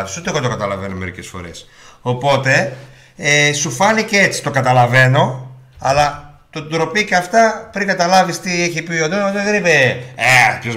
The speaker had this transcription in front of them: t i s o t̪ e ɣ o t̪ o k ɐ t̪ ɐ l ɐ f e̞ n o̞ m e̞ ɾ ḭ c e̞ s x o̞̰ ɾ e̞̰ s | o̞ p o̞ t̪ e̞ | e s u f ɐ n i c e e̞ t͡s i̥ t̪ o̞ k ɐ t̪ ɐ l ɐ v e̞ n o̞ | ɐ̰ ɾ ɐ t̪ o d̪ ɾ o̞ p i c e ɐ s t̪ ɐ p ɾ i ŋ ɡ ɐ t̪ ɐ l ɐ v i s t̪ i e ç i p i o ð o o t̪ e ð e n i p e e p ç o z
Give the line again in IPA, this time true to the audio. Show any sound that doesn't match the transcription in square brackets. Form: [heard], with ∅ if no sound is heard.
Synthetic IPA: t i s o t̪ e ɣ o t̪ o k ɐ t̪ ɐ l ɐ [v] e̞ n o̞ m e̞ ɾ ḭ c e̞ s [f] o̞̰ ɾ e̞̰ s | o̞ p o̞ t̪ e̞ | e s u f ɐ n i c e e̞ t͡s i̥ t̪ o̞ k ɐ t̪ ɐ l ɐ v e̞ n o̞ | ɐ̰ [l] ɐ t̪ o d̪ ɾ o̞ p i c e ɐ [f] t̪ ɐ p ɾ i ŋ ɡ ɐ t̪ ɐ l ɐ v i s t̪ i e ç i p i o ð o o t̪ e ð e n i p e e p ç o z